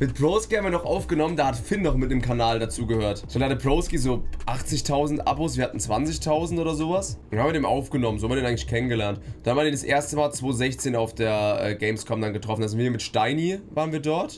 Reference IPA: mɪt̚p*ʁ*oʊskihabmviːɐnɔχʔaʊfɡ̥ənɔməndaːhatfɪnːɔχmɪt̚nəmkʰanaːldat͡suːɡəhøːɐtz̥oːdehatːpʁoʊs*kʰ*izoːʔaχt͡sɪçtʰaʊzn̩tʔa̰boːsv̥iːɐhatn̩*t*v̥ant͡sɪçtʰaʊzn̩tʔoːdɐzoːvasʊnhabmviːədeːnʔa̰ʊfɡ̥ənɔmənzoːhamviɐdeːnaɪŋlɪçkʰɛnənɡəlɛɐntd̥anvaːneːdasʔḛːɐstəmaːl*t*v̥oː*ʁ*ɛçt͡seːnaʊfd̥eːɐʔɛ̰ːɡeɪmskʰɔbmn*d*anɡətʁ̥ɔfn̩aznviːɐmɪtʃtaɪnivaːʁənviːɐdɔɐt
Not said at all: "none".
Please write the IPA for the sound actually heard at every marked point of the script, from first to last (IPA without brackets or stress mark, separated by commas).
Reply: ʁ, k, t͡s, t͡s, z, d